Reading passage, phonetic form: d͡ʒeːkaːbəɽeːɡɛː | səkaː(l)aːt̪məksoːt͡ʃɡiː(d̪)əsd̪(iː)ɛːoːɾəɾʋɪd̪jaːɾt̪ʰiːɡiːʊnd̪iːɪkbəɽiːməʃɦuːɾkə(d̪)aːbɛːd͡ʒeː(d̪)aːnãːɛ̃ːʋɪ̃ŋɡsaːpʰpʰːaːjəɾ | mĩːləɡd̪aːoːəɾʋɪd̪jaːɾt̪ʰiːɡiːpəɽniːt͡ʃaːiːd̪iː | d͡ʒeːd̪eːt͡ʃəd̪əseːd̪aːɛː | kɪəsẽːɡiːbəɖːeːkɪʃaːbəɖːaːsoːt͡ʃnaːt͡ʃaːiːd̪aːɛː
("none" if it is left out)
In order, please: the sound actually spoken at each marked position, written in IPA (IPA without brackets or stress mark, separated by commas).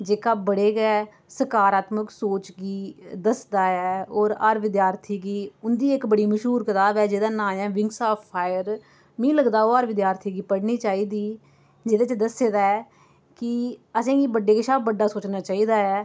ɾ, d̪, aː, t̪, d̪